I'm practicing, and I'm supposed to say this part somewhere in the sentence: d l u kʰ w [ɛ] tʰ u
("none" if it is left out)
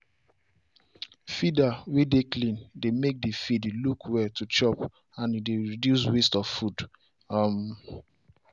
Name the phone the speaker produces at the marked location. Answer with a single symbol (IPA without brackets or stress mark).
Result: ɛ